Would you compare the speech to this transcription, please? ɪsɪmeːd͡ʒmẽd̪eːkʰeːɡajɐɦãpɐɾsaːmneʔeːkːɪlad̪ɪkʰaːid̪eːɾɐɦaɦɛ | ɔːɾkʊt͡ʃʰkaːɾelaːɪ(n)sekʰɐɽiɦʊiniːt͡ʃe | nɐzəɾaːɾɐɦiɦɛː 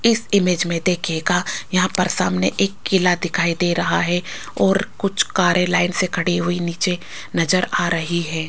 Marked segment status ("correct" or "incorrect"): correct